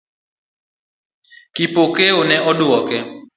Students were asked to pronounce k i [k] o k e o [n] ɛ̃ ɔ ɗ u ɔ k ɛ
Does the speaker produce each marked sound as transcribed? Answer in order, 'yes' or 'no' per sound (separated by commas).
no, yes